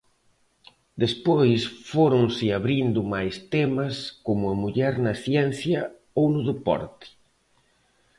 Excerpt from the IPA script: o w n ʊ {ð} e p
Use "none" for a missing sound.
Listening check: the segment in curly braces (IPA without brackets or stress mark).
ð